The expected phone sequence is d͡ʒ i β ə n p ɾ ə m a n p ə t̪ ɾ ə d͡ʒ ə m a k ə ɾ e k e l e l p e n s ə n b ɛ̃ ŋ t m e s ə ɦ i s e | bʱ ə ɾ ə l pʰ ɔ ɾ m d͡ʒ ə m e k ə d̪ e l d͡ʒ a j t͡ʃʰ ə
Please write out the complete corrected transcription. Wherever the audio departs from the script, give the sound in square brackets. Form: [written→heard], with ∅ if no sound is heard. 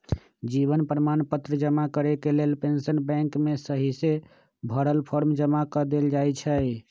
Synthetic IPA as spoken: d͡ʒ i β ə n p ɾ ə m a n p ə t̪ ɾ ə d͡ʒ ə m a k ə ɾ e k e l e l p e n s ə n b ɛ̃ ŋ [t→k] m e s ə ɦ i s e | bʱ ə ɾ ə l pʰ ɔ ɾ m d͡ʒ ə m [e→a] k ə d̪ e l d͡ʒ a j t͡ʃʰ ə